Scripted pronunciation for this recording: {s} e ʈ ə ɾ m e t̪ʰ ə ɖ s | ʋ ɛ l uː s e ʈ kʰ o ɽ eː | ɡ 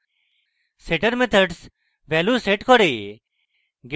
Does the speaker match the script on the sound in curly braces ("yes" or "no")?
yes